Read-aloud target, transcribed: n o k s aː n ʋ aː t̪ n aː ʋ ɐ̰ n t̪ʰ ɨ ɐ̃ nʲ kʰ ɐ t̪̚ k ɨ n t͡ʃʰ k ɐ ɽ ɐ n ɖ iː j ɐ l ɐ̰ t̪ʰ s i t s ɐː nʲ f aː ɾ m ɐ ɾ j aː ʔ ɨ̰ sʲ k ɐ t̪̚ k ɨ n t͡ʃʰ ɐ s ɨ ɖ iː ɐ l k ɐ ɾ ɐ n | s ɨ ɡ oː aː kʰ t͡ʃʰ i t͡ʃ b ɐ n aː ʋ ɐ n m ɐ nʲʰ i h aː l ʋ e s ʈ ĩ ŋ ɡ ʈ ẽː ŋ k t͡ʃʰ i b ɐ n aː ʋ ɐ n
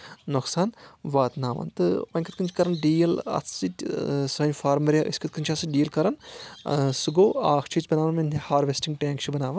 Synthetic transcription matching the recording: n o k s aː n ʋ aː t̪ n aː ʋ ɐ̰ n t̪ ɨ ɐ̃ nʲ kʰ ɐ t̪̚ k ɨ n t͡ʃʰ k ɐ ɾ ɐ n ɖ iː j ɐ l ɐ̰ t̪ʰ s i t s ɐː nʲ f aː ɾ m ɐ ɾ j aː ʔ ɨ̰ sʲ k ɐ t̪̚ k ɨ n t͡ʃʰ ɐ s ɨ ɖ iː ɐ l k ɐ ɾ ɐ n | s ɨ ɡ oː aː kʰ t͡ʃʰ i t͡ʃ b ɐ n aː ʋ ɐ n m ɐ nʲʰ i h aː ɾ ʋ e s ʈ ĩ ŋ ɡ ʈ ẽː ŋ k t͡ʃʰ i b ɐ n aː ʋ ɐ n